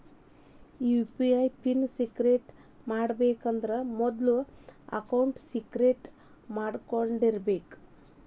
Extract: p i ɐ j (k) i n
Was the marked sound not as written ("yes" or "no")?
yes